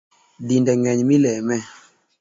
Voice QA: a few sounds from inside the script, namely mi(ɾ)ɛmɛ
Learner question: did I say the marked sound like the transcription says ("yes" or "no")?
no